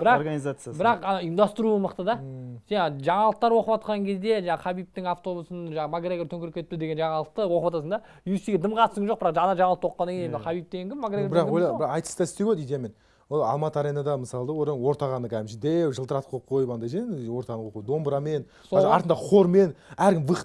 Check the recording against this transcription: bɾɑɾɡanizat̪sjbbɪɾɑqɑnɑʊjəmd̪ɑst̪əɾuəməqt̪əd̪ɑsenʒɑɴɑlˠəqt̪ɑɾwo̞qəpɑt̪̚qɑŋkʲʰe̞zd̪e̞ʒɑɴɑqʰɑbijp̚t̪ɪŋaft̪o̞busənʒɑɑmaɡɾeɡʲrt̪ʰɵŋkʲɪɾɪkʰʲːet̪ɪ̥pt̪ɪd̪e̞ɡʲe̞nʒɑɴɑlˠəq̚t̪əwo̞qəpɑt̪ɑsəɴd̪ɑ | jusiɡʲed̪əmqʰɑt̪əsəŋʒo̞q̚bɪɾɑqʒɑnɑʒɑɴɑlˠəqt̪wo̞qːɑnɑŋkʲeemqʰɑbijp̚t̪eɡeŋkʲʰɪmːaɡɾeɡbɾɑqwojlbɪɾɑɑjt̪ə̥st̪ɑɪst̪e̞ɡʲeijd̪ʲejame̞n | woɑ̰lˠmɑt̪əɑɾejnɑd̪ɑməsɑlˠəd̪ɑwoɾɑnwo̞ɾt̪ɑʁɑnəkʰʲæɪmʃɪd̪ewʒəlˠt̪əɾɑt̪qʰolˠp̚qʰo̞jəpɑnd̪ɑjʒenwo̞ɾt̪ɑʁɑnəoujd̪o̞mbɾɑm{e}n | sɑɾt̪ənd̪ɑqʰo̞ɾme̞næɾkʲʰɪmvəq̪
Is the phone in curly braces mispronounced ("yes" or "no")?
no